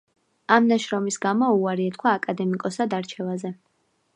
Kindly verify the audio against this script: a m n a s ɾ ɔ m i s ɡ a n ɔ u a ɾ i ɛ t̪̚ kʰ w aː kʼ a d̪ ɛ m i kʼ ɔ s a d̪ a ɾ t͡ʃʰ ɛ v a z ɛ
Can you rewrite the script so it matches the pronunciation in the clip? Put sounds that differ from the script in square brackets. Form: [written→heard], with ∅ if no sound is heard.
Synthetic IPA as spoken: a m n a [s→ʃ] ɾ ɔ m i s ɡ a [n→m] ɔ u a ɾ i ɛ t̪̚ kʰ w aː kʼ a d̪ ɛ m i kʼ ɔ s a d̪ a ɾ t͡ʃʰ ɛ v a z ɛ